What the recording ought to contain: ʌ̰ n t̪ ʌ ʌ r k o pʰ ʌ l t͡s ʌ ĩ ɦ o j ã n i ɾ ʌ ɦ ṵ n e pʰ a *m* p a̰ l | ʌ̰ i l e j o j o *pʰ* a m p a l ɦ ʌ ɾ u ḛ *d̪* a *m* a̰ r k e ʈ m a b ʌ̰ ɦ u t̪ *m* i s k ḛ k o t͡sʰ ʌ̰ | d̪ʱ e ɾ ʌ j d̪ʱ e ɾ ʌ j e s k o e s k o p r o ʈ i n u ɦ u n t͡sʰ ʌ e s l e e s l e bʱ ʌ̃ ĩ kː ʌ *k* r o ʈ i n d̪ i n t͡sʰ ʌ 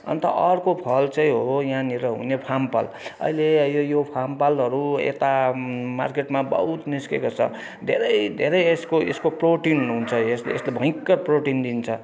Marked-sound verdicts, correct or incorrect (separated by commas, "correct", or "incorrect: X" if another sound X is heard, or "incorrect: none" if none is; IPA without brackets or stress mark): correct, correct, incorrect: t̪, correct, incorrect: n, incorrect: p